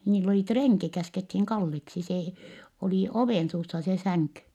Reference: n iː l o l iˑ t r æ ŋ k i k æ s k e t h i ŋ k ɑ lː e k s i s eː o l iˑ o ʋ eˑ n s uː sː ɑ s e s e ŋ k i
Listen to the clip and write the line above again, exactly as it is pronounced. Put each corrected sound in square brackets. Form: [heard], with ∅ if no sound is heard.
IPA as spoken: n iː [lː] o l iˑ t r [e] ŋ k i k æ s k e t h i ŋ k ɑ lː e k s i s eː o l iˑ o ʋ eˑ n s uː sː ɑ s e s [æ] ŋ k [y]